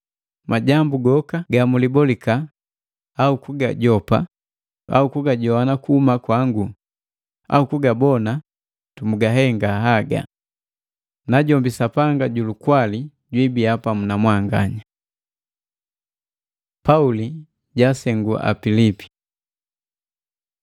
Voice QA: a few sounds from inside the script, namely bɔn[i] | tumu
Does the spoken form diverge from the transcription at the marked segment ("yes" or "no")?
yes